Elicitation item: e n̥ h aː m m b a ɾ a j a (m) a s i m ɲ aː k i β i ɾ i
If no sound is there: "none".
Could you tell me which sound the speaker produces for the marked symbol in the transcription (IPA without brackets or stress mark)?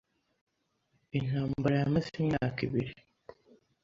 m